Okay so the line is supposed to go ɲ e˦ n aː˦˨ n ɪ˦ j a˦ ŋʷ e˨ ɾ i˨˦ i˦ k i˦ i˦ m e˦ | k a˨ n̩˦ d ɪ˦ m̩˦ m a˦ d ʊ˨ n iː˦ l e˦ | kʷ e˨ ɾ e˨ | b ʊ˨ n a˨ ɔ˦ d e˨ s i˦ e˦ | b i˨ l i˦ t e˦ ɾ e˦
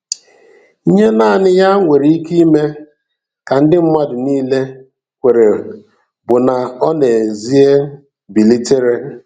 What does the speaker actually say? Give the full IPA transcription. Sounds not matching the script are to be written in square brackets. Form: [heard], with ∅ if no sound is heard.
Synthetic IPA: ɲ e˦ n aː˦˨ n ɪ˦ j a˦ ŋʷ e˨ ɾ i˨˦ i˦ k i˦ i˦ m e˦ | k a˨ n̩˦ d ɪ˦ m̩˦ m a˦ d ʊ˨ n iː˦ l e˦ | kʷ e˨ ɾ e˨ | b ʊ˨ n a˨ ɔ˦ [n] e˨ [z] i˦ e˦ | b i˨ l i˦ t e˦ ɾ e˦

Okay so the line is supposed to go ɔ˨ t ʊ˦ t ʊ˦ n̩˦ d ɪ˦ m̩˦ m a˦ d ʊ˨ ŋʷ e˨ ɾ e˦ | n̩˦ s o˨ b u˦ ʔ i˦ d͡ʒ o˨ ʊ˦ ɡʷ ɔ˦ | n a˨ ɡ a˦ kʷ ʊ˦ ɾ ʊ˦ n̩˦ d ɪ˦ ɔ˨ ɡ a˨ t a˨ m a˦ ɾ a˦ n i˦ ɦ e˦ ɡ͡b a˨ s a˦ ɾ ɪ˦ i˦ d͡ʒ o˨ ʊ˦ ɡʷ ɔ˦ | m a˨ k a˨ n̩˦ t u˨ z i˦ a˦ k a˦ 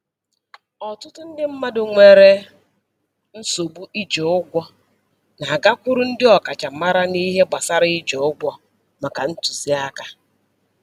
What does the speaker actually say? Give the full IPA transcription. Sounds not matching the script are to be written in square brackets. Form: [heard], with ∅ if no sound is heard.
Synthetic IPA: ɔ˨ t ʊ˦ t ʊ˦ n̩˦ d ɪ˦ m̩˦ m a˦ d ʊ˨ ŋʷ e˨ ɾ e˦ | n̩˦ s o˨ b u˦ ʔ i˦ d͡ʒ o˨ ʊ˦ ɡʷ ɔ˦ | n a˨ ɡ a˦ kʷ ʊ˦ ɾ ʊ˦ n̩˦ d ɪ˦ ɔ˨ [k] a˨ [t͡ʃ] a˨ m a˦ ɾ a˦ n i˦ ɦ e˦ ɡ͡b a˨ s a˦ ɾ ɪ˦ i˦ d͡ʒ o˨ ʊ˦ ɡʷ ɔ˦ | m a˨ k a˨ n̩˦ t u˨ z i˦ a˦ k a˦

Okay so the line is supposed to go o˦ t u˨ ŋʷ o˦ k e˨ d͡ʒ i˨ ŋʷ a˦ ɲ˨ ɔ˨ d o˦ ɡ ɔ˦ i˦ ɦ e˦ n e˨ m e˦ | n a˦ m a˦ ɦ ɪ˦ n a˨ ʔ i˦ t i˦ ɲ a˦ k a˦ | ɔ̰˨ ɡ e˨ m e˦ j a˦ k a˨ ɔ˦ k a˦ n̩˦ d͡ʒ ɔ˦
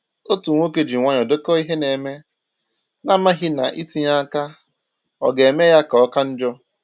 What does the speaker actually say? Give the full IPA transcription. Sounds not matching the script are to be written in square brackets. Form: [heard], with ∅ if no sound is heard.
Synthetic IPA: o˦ t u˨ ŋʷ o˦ k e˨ d͡ʒ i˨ ŋʷ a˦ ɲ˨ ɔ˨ d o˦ [k] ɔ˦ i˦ ɦ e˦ n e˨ m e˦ | n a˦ m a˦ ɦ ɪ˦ n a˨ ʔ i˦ t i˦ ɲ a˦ k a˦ | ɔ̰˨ ɡ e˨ m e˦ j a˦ k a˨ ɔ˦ k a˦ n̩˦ d͡ʒ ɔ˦

